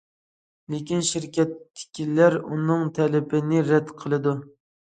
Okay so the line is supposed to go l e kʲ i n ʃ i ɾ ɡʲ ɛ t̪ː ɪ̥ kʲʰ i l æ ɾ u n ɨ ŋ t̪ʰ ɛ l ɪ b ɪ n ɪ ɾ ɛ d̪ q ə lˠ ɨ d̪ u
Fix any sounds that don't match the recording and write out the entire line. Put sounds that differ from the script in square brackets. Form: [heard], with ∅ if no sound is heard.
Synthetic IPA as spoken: l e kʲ i n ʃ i ɾ [kʲ] ɛ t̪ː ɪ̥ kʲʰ i l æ ɾ u n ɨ ŋ t̪ʰ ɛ l ɪ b ɪ n ɪ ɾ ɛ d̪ [qʰ] ə lˠ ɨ d̪ u